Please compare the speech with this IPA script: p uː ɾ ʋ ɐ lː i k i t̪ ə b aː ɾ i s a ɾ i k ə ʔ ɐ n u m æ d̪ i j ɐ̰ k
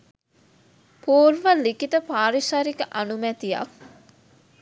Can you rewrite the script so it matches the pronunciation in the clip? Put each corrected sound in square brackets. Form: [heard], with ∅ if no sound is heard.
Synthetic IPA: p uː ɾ ʋ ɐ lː i k i t̪ ə [p] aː ɾ i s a ɾ i k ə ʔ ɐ n u m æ [t̪] i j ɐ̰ k